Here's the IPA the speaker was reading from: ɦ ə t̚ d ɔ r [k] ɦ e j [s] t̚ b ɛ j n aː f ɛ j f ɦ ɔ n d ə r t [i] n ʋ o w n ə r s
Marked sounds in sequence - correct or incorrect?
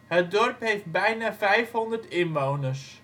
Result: incorrect: p, incorrect: f, incorrect: ɪ

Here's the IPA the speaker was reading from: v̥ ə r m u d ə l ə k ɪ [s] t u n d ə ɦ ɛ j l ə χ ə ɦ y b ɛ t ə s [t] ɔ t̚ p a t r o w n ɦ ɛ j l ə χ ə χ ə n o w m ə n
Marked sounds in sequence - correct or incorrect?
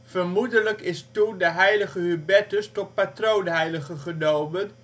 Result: correct, correct

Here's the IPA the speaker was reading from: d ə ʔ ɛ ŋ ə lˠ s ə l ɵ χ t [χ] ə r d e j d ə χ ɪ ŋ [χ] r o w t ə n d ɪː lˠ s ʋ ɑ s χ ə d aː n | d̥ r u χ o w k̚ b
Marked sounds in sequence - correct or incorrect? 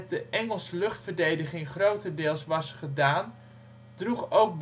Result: incorrect: f, correct

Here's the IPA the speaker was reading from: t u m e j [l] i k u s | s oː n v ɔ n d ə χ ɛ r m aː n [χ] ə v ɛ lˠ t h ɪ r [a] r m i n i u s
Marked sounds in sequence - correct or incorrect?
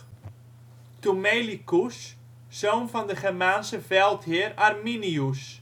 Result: correct, incorrect: s, correct

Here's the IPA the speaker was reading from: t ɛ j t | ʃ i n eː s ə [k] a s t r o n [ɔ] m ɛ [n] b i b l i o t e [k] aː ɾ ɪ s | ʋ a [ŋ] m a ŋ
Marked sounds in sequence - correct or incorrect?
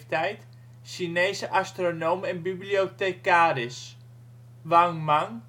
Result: incorrect: ʔ, incorrect: o, correct, correct, correct

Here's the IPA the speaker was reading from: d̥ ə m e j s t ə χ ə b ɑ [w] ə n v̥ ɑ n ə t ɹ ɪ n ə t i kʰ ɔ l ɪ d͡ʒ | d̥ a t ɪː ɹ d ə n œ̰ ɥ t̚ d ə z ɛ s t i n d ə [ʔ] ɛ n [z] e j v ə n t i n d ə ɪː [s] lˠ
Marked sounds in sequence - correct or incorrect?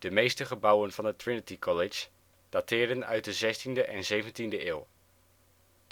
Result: correct, correct, correct, incorrect: none

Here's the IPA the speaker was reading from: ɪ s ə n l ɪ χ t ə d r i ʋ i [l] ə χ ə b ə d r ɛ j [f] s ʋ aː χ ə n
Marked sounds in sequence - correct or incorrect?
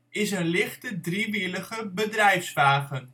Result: correct, correct

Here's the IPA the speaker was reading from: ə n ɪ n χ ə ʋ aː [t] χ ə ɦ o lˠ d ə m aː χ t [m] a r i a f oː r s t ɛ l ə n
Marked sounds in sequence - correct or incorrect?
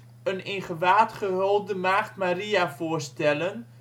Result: correct, correct

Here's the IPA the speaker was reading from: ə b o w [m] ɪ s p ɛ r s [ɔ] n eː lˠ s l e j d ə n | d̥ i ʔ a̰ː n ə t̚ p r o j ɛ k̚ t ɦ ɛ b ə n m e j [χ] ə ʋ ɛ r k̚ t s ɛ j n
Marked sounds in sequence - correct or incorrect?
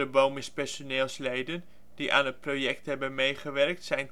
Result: correct, incorrect: o, correct

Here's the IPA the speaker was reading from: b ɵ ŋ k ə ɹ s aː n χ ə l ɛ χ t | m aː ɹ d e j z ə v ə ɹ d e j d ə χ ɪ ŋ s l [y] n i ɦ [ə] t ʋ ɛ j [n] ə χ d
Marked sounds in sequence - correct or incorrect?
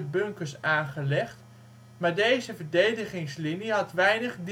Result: incorrect: i, incorrect: ɑ, correct

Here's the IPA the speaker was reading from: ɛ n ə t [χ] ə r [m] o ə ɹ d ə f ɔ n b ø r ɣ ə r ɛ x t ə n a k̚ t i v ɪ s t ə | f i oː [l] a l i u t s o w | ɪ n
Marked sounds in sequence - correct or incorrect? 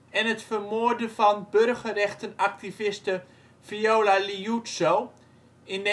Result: incorrect: f, correct, correct

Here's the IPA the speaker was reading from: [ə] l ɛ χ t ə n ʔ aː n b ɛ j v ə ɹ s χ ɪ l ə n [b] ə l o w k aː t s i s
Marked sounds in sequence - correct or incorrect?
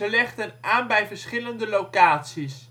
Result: correct, incorrect: d

